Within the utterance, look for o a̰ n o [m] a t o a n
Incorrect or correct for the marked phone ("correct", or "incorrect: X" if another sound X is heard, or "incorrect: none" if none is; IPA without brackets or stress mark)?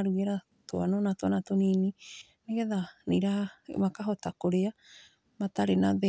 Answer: incorrect: n